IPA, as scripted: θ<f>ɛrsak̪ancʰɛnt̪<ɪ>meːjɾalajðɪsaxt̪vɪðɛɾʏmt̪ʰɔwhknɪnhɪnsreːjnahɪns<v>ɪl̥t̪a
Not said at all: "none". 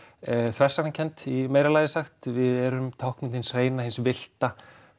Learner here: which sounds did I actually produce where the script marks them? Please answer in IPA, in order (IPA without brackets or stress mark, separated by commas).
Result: v, i, v